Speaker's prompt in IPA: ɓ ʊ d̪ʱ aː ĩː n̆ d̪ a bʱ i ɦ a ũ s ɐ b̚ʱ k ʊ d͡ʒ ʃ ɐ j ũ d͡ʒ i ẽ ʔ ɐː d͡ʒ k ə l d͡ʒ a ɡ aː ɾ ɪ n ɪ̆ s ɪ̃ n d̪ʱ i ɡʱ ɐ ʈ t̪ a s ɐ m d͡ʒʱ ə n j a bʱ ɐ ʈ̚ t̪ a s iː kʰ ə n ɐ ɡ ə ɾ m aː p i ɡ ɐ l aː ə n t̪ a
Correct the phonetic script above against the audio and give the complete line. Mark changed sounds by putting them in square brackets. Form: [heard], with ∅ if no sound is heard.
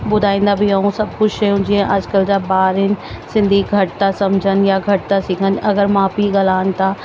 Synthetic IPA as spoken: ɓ ʊ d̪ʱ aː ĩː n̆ d̪ a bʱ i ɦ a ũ s ɐ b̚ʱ k ʊ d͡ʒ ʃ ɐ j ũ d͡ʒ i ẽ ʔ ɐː d͡ʒ k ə l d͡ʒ a [b] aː ɾ ɪ n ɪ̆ s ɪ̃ n d̪ʱ i ɡʱ ɐ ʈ t̪ a s ɐ m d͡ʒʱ ə n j a [ɡʱ] ɐ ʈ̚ t̪ a s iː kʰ ə n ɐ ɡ ə ɾ m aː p i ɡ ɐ l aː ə n t̪ a